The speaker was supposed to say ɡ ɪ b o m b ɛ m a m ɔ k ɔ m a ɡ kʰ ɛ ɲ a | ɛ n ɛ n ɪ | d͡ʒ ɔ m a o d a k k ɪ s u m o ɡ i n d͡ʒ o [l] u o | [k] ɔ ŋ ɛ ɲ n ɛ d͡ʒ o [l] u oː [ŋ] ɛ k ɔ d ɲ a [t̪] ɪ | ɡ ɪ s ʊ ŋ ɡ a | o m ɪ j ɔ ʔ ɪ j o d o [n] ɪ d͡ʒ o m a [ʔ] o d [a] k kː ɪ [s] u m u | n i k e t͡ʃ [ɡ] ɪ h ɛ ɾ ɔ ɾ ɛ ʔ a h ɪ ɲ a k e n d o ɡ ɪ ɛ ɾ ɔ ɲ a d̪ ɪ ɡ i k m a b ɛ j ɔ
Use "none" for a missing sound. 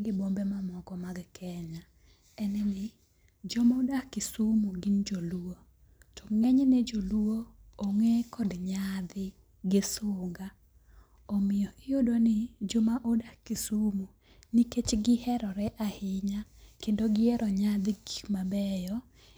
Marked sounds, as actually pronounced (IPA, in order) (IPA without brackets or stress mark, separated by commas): l, t, l, ŋ, d̪, n, ʔ, a, s, ɡ